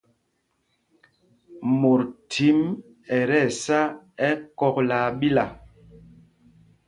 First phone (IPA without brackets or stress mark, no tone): m